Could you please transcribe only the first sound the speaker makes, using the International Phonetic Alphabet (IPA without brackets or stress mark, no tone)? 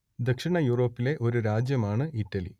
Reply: d̪